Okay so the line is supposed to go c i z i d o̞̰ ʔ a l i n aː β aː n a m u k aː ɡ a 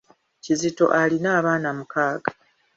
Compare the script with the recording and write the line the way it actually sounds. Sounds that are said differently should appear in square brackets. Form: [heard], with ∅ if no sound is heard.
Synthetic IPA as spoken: c i z i [t] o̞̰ ʔ a l i n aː β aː n a m u k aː ɡ a